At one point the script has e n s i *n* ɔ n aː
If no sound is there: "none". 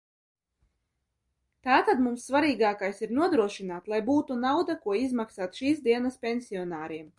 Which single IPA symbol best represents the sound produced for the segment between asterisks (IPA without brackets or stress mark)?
none